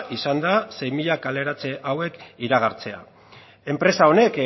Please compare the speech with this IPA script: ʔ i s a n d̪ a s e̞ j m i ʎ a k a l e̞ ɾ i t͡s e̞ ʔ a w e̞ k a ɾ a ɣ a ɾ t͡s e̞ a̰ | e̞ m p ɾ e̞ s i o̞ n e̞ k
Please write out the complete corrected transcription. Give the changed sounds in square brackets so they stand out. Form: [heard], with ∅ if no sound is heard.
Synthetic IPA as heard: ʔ i s a n d̪ a s e̞ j m i ʎ a k a l e̞ ɾ [a] t͡s e̞ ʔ a w e̞ k [i] ɾ a ɣ a ɾ t͡s e̞ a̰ | e̞ m p ɾ e̞ s [a] o̞ n e̞ k